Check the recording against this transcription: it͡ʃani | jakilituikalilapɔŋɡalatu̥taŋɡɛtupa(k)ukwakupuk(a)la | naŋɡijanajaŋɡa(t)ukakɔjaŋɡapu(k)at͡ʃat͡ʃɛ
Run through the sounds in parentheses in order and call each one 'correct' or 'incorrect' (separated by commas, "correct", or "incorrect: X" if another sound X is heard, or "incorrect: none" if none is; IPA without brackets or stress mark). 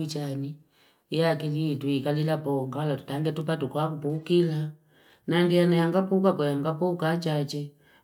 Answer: incorrect: t, incorrect: i, incorrect: p, correct